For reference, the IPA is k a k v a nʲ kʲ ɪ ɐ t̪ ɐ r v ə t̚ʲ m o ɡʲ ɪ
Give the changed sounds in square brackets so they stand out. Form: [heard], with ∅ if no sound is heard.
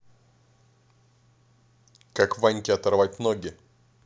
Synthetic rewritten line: k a k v a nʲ kʲ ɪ ɐ t̪ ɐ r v [a] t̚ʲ [n] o ɡʲ ɪ